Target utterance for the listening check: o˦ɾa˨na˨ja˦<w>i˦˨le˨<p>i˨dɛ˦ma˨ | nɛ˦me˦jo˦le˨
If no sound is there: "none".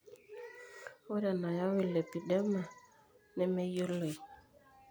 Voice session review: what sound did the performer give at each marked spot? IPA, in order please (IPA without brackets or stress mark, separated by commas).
w, p